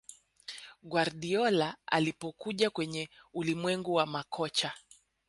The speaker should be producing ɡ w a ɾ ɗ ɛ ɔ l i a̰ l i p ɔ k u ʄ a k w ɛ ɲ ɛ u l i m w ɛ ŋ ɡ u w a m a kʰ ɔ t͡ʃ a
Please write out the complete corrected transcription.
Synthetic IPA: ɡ w a ɾ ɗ i ɔ l a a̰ l i p ɔ k u ʄ a k w ɛ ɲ ɛ u l i m w ɛ ŋ ɡ u w a m a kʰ ɔ t͡ʃ a